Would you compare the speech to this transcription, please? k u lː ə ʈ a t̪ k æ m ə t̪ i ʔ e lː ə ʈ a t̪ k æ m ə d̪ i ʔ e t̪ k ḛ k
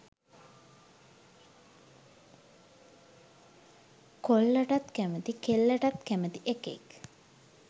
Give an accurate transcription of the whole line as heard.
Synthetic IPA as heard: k o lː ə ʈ a t̪ k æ m ə t̪ i k e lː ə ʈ a t̪ k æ m ə t̪ i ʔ e k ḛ k